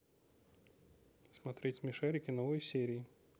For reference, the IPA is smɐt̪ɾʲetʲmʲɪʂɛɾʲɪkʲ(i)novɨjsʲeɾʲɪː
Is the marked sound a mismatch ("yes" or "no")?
yes